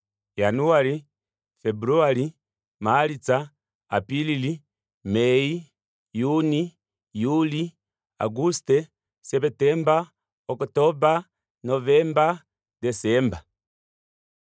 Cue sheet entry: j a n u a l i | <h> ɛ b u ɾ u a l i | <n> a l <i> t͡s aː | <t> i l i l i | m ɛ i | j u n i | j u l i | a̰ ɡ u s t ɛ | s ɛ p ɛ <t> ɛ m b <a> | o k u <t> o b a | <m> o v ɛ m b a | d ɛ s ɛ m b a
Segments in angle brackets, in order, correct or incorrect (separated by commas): incorrect, incorrect, correct, incorrect, correct, correct, correct, incorrect